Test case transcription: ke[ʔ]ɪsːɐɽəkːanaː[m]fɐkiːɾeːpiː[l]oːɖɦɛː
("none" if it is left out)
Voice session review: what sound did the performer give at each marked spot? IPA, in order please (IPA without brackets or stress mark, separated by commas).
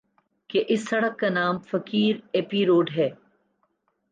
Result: ʔ, m, ɾ